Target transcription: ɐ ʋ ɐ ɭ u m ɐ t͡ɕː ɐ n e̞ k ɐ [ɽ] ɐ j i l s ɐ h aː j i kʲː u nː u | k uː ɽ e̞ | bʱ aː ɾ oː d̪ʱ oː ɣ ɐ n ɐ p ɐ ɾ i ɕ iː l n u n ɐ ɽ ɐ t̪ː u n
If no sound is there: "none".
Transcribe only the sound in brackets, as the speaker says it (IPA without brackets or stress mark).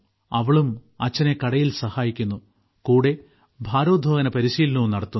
ɽ